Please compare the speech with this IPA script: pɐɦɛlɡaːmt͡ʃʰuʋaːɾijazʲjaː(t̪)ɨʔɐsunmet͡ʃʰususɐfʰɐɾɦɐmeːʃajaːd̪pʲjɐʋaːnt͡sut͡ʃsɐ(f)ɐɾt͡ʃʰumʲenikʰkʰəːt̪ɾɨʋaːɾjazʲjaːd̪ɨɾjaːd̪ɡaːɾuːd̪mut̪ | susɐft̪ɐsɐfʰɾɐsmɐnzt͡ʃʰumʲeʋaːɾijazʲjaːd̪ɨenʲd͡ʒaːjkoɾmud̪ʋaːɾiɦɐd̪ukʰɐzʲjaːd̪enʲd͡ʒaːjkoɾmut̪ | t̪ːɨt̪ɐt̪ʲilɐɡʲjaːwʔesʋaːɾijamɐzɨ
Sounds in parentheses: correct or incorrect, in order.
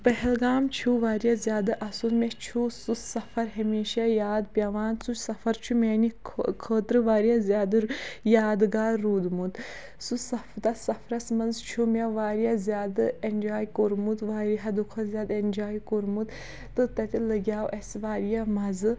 incorrect: d̪, correct

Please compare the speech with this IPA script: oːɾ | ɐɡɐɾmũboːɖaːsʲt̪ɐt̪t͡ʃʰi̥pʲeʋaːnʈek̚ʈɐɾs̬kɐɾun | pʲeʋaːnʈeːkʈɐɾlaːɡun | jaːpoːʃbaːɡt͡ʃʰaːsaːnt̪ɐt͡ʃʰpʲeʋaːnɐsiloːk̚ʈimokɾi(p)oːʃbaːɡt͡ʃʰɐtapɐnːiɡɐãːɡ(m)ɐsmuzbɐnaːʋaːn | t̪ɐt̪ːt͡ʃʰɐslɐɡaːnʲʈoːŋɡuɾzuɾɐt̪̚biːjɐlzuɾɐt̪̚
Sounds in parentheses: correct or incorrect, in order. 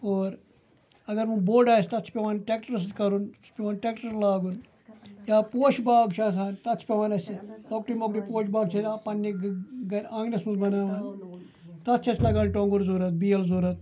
correct, incorrect: n

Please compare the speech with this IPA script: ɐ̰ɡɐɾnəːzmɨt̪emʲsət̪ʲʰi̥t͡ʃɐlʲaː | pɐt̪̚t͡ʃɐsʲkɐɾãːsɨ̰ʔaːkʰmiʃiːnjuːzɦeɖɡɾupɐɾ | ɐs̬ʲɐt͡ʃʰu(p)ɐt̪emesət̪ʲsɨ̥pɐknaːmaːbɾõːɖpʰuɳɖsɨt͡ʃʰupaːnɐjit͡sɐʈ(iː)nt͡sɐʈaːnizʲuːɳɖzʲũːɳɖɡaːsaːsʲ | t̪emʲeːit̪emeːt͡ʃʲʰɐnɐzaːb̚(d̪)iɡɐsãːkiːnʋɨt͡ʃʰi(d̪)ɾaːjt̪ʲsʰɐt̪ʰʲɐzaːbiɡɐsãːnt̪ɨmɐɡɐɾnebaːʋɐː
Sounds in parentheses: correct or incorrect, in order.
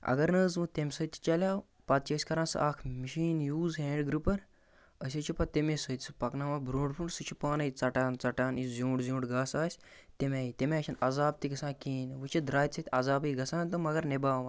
correct, incorrect: aː, incorrect: t̪, correct

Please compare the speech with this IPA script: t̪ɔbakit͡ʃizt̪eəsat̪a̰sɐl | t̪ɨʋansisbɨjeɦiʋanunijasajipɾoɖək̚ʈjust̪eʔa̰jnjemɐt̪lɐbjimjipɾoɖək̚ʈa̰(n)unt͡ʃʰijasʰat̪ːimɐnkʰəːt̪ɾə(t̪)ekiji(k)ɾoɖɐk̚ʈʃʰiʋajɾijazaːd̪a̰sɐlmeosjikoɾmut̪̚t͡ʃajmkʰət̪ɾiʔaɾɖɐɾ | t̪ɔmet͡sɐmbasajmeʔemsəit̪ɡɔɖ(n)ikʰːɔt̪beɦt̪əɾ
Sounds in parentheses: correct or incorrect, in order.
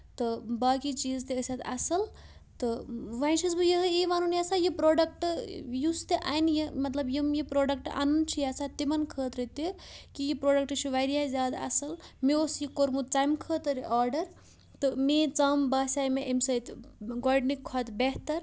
correct, correct, incorrect: p, correct

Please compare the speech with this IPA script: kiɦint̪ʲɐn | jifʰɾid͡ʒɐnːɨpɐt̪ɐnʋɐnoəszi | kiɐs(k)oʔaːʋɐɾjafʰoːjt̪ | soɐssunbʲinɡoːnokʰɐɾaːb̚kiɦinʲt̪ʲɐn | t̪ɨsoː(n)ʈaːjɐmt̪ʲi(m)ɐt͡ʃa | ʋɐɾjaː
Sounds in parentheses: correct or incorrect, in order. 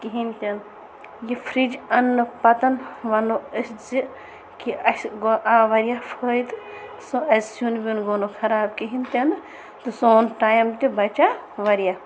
incorrect: ɡ, correct, incorrect: b

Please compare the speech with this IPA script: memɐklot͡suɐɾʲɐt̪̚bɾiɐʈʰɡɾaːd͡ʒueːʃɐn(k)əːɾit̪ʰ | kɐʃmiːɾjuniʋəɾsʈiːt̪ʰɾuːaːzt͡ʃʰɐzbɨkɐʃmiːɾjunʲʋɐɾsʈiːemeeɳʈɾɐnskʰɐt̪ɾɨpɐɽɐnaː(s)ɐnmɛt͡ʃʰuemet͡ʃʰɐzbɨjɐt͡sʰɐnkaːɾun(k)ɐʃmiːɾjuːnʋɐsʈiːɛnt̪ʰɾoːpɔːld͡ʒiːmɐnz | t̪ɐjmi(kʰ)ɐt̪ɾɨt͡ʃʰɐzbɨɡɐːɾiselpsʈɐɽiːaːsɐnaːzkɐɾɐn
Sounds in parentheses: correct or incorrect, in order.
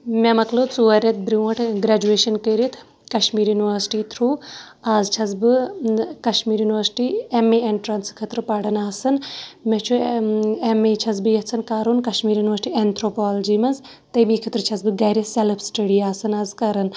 correct, correct, correct, correct

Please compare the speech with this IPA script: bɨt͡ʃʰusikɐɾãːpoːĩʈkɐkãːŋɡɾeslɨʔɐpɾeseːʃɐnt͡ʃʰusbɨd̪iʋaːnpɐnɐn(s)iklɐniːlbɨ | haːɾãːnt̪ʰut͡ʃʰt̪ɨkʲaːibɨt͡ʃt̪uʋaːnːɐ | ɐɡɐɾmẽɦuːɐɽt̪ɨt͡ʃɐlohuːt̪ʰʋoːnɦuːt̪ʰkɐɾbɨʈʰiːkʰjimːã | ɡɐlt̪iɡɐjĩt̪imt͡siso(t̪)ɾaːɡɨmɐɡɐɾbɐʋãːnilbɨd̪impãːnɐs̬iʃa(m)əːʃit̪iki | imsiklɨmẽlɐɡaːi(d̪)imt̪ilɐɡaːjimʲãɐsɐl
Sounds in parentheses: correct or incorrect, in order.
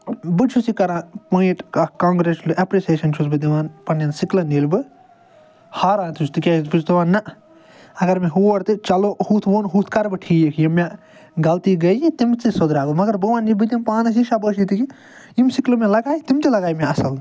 correct, incorrect: d̪, incorrect: b, incorrect: t̪

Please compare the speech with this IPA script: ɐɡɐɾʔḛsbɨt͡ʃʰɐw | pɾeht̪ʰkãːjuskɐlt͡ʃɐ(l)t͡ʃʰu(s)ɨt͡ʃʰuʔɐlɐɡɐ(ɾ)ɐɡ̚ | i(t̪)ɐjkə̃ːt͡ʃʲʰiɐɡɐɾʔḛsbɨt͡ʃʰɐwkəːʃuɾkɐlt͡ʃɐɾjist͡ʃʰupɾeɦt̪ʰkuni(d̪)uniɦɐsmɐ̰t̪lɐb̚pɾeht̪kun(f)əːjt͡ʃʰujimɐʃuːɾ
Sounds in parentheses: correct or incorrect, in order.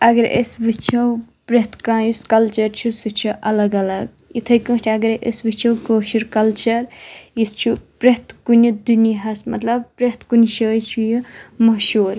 incorrect: ɾ, correct, incorrect: l, incorrect: t̪ʰ, correct, incorrect: ʃ

